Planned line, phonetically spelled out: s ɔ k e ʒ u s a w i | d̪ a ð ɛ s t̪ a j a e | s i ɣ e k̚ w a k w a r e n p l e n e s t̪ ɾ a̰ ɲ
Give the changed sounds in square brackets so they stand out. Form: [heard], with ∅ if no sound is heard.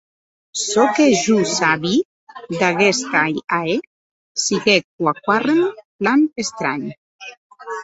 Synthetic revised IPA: s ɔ k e ʒ u s a [β] i | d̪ a [ɣ] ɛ s t̪ a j a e | s i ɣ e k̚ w a k w a r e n p l [a] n e s t̪ ɾ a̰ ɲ